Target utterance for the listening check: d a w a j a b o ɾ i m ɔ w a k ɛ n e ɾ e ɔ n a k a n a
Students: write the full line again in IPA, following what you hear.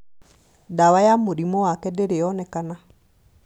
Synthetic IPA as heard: d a w a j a m o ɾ i m ɔ w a k ɛ d e ɾ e ɔ n ɛ k a n a